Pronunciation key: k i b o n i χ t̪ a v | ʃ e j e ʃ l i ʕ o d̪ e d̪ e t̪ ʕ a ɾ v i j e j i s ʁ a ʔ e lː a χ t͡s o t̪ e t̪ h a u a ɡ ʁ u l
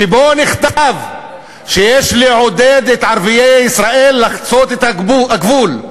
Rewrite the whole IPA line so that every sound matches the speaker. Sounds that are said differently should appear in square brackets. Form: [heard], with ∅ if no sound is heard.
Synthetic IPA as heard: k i b o n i χ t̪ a v | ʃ e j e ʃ l i ʕ o d̪ e d̪ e t̪ ʕ a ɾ v i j e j i s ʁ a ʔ e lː a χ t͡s o t̪ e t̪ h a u a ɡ [v] u l